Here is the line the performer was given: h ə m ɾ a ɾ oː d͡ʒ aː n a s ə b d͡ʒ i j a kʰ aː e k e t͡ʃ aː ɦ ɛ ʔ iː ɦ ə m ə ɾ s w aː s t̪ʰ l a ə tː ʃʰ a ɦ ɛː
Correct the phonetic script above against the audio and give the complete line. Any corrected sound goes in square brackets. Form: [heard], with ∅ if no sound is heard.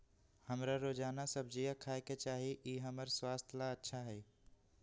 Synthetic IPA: h ə m ɾ a ɾ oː d͡ʒ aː n a s ə b d͡ʒ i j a kʰ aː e k e t͡ʃ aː ɦ [i] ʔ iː ɦ ə m ə ɾ s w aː s t̪ʰ l a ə tː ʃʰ a ɦ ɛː